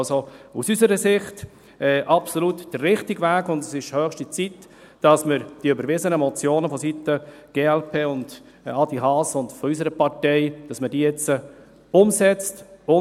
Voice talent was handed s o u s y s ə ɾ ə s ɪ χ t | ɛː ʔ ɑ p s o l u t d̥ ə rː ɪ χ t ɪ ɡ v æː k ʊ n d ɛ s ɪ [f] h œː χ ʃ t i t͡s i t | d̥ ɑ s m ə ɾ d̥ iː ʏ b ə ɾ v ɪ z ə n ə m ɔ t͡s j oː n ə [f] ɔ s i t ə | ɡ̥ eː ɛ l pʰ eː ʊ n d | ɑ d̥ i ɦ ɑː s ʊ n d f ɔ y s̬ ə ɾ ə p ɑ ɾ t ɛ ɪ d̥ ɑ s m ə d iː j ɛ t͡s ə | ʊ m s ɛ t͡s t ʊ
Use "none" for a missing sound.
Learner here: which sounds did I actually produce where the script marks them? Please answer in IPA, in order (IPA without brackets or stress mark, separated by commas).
ʃ, f